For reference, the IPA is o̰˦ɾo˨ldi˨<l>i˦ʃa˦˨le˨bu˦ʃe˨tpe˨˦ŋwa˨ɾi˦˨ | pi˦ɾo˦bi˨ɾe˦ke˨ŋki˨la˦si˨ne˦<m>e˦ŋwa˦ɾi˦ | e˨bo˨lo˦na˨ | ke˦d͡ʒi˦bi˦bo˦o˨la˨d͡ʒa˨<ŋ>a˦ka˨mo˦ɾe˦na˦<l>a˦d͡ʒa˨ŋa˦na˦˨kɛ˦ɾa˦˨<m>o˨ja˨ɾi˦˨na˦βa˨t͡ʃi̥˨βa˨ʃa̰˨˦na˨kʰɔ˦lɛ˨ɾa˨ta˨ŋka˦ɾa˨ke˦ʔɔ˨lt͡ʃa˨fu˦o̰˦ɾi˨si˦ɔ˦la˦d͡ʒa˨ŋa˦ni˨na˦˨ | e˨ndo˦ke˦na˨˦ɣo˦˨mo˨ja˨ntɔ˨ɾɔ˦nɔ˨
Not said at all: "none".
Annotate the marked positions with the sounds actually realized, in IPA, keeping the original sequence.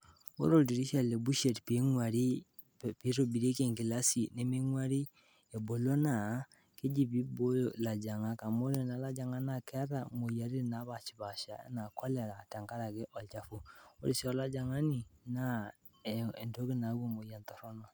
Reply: ɾ, m, ŋ, l, m

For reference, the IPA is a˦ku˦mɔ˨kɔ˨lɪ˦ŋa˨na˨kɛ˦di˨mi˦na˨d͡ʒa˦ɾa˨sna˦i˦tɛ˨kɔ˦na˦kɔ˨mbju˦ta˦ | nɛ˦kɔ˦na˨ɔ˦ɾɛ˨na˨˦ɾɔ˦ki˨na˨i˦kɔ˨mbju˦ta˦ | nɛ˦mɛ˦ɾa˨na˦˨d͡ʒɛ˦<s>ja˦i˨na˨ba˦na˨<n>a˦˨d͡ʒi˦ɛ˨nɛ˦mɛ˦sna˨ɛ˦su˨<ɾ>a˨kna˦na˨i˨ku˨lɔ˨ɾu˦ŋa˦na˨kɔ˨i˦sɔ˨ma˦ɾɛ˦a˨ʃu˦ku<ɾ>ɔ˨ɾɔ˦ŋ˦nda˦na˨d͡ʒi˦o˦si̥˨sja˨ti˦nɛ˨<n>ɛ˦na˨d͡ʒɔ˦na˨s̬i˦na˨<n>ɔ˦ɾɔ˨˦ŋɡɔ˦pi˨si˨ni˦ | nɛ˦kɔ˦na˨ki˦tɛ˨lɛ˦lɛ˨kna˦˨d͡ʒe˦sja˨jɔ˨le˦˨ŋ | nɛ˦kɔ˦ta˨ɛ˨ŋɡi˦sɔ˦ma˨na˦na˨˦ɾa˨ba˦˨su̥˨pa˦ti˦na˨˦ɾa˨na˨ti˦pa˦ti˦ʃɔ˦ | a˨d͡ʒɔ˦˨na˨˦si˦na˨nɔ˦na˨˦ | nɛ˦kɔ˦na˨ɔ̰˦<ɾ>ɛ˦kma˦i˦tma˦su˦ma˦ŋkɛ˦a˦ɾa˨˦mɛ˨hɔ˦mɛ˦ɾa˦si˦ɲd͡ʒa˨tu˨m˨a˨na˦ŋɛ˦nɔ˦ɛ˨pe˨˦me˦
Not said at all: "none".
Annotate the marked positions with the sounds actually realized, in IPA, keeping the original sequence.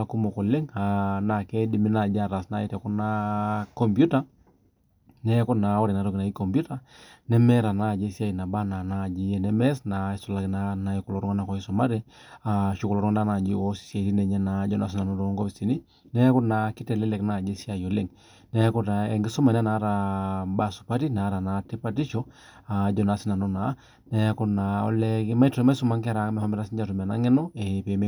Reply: s, n, l, l, ɲ, n, l

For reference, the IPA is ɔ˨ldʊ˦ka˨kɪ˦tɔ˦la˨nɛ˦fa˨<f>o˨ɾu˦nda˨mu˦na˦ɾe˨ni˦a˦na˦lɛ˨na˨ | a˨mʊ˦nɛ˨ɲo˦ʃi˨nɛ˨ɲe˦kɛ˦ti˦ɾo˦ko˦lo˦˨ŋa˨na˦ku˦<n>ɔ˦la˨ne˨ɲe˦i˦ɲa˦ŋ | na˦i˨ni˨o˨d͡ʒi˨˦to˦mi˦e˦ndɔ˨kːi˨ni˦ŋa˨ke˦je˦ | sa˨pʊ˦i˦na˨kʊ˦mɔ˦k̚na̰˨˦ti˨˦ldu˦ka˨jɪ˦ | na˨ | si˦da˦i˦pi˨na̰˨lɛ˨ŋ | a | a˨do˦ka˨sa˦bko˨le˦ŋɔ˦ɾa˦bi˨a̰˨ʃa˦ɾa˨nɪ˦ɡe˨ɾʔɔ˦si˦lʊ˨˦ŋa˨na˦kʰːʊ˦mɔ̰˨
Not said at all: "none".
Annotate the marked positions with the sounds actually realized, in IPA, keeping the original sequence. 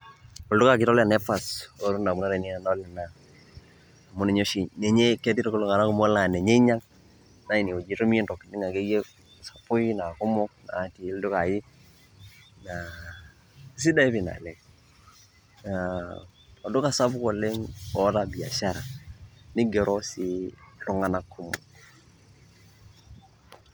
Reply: s, m

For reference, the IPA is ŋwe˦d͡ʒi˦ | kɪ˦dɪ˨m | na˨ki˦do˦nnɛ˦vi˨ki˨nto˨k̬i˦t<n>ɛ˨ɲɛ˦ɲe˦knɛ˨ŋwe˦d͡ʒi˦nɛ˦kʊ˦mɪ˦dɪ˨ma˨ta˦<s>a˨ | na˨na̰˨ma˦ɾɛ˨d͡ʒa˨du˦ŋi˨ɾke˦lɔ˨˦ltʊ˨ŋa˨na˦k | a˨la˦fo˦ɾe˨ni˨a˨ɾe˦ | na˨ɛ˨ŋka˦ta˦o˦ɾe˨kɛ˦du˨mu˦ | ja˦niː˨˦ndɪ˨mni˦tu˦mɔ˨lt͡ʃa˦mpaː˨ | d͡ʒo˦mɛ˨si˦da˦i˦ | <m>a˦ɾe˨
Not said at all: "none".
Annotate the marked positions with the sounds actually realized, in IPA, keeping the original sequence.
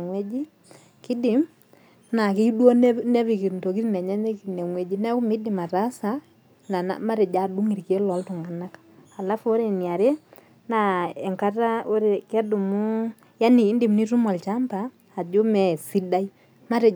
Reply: n, s, m

